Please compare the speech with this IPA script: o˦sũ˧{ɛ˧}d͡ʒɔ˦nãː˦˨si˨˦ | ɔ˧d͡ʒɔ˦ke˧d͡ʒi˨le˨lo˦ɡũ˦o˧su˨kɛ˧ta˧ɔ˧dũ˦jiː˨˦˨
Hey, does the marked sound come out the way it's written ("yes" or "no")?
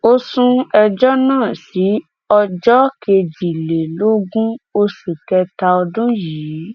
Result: yes